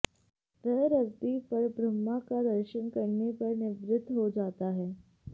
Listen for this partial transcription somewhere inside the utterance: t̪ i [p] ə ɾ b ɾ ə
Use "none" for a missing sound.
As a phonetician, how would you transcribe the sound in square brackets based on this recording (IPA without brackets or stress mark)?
p